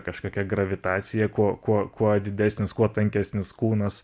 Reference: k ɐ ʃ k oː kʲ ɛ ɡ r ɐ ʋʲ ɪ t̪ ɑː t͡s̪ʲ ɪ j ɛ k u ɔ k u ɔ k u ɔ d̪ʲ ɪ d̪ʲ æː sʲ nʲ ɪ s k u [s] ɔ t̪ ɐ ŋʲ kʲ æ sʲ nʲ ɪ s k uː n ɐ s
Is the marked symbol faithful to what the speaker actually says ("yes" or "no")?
no